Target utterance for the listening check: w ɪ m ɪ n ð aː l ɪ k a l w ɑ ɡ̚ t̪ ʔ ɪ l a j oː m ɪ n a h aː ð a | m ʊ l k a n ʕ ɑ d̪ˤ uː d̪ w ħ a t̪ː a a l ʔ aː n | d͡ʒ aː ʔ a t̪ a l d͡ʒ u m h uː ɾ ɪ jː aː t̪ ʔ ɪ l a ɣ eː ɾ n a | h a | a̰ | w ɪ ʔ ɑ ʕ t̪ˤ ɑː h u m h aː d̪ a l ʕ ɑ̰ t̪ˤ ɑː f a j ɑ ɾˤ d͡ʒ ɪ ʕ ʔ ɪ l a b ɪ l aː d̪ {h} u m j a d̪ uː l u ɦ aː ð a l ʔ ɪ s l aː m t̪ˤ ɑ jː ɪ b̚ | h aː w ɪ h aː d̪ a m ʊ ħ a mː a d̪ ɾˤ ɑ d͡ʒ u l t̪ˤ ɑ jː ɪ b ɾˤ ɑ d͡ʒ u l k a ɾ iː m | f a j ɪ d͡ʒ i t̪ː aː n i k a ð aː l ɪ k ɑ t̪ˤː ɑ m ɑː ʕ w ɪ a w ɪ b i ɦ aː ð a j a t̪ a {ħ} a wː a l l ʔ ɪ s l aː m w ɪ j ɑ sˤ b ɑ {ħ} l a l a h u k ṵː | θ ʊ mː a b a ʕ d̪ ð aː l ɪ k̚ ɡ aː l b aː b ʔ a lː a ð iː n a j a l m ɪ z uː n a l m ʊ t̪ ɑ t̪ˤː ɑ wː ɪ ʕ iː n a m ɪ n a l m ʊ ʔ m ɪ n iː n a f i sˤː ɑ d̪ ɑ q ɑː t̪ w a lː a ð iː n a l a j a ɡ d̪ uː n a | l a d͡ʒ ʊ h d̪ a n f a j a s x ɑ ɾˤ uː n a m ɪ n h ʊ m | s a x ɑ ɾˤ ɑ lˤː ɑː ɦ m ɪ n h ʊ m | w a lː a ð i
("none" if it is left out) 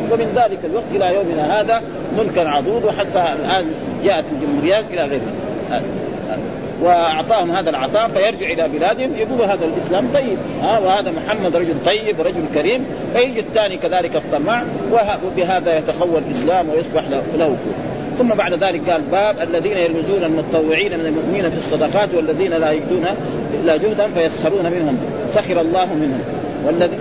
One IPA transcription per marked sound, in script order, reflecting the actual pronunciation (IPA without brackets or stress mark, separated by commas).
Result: h, x, ħ